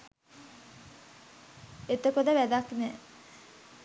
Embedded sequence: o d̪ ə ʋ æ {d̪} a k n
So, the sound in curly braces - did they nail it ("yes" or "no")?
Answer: yes